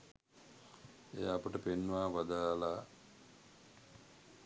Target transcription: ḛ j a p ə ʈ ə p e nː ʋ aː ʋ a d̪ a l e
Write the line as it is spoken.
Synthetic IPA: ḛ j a p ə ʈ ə p e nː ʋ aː ʋ a d̪ a l a